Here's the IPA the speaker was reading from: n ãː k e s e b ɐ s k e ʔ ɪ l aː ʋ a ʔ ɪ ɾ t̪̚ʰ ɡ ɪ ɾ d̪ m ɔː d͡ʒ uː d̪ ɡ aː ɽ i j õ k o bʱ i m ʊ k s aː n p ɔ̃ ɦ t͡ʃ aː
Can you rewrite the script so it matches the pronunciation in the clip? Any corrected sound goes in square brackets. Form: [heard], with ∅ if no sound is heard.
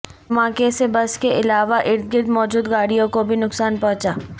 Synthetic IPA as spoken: [m] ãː k e s e b ɐ s k e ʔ ɪ l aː ʋ a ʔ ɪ ɾ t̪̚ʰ ɡ ɪ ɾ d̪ m ɔː d͡ʒ uː d̪ ɡ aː ɽ i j õ k o bʱ i [n] ʊ k s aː n p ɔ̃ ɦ t͡ʃ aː